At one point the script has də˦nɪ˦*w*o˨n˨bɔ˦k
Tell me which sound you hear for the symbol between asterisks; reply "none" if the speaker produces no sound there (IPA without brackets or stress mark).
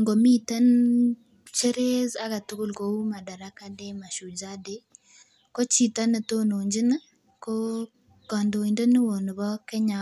w